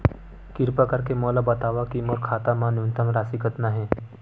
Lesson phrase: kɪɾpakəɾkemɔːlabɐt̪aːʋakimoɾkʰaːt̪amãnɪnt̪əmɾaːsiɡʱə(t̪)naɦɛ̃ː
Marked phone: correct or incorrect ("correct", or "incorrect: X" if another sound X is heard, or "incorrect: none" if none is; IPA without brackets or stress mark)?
correct